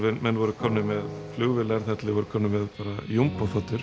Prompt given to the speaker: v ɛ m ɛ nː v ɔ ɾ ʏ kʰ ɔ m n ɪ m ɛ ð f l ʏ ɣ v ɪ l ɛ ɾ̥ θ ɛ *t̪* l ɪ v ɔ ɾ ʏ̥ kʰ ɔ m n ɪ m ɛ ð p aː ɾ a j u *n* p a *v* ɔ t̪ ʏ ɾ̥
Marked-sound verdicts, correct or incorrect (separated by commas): correct, incorrect, incorrect